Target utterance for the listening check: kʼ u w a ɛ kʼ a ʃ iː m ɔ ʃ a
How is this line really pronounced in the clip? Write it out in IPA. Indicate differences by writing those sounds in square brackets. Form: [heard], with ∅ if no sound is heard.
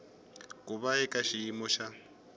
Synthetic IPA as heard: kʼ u [β] a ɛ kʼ a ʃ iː m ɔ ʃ a